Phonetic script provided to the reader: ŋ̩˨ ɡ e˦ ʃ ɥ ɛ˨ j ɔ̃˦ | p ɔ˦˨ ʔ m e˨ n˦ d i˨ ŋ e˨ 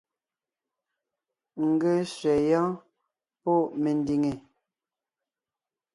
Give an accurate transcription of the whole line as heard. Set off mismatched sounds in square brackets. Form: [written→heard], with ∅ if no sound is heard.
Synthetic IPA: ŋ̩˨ ɡ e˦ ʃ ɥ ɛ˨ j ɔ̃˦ | p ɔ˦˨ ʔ m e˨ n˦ d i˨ ŋ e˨